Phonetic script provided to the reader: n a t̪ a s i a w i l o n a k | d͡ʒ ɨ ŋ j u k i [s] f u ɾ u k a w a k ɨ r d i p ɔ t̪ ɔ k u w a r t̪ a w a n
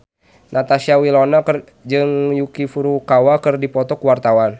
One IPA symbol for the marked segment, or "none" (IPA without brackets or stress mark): none